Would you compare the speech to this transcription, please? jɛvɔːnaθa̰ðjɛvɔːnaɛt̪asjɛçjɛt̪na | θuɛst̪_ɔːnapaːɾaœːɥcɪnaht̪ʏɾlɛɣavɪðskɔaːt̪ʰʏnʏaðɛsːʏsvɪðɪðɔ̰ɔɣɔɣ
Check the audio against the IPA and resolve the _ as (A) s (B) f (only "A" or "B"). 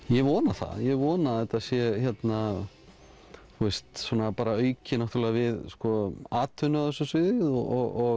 A